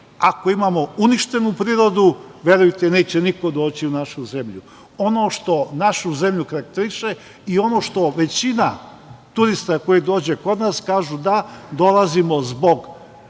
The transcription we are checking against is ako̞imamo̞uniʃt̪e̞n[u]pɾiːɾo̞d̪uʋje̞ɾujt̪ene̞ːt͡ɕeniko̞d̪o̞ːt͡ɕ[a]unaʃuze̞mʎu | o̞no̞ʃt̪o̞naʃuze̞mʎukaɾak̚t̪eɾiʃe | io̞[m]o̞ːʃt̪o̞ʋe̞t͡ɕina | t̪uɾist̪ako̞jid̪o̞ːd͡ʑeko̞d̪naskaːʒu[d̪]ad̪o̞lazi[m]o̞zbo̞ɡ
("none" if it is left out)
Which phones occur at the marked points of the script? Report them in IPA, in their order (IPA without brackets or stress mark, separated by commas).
u, i, n, d̪, m